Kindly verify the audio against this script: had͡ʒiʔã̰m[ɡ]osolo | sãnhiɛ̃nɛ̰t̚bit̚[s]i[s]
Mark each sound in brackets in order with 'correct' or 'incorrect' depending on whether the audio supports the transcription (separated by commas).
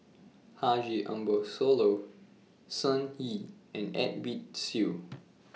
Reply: incorrect, correct, incorrect